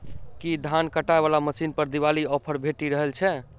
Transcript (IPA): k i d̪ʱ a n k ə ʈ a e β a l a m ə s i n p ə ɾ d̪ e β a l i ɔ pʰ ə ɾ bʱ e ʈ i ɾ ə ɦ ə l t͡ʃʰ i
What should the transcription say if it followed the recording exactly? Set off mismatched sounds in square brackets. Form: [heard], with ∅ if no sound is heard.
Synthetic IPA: k i d̪ʱ a n k ə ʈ a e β a l a m ə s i n p ə ɾ d̪ [i] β a l i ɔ pʰ ə ɾ bʱ e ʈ i ɾ ə ɦ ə l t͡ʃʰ [ɛ]

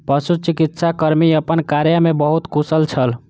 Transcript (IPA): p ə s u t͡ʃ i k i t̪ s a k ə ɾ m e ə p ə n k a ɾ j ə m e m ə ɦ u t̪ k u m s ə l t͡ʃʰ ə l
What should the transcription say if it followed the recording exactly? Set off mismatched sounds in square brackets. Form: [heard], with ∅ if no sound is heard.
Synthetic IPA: p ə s u t͡ʃ i k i t̪ s a k ə ɾ m [i] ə p ə n k a ɾ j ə m e [b] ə ɦ u t̪ k u [∅] s ə l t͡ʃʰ ə l

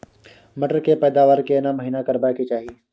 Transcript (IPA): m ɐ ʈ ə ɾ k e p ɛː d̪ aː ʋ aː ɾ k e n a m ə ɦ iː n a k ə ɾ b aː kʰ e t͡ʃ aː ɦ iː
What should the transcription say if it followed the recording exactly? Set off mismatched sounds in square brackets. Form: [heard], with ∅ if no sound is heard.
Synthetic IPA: m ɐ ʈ ə ɾ k e p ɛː d̪ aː ʋ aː ɾ k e n a m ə ɦ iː n a k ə ɾ b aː [k] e t͡ʃ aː ɦ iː

